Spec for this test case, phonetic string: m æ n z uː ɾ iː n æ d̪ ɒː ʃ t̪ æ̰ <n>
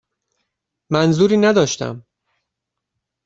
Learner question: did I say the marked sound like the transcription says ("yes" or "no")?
no